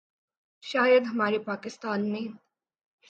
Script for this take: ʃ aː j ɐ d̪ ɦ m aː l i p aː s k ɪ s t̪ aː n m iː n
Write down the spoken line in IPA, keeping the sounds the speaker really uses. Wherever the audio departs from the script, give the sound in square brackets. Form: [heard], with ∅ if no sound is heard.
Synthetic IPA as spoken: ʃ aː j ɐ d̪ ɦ m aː [ɾ] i p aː [∅] k ɪ s t̪ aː n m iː n